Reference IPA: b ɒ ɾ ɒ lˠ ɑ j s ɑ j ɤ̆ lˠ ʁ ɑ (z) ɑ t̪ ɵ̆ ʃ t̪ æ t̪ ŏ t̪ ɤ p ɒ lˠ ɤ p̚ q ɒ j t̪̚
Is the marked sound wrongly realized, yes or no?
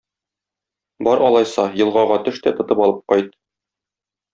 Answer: yes